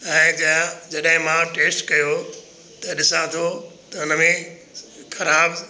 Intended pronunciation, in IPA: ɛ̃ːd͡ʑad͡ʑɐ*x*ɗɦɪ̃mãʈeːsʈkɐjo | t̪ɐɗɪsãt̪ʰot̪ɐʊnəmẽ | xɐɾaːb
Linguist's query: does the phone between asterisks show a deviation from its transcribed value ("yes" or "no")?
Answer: yes